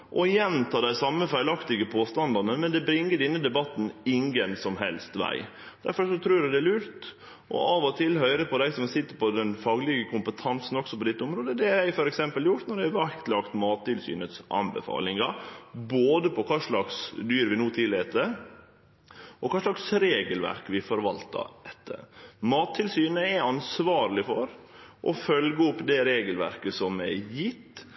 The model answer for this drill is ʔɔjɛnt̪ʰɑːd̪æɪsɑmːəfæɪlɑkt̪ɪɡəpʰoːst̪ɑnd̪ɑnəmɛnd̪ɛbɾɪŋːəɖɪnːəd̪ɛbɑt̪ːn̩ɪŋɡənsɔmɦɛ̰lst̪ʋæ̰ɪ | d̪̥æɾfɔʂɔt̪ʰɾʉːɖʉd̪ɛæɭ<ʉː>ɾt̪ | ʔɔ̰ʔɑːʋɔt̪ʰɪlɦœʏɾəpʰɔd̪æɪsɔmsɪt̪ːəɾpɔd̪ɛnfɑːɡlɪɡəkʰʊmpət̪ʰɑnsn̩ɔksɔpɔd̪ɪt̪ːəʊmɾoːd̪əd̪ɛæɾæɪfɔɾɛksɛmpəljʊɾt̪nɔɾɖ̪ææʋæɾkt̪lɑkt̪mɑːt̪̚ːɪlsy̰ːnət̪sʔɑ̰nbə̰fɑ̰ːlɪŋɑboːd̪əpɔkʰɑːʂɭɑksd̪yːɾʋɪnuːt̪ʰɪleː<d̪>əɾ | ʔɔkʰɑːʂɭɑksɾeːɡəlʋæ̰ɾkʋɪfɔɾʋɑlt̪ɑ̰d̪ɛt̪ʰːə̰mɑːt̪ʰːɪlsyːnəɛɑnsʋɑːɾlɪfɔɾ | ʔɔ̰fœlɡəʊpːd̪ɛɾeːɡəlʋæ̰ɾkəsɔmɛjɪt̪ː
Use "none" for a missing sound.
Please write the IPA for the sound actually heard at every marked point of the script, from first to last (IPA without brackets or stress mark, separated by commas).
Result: ʉː, t̪